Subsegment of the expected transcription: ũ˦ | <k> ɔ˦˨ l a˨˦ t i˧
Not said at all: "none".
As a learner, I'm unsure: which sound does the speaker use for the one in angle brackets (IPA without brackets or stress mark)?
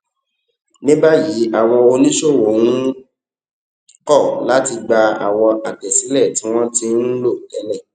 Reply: k